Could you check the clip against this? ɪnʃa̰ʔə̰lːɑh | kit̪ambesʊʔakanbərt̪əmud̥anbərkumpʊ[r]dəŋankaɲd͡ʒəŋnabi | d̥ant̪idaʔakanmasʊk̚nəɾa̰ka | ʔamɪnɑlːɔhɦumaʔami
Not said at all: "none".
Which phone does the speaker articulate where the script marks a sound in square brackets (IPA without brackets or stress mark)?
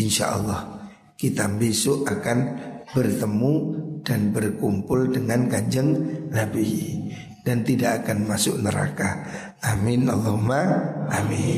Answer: l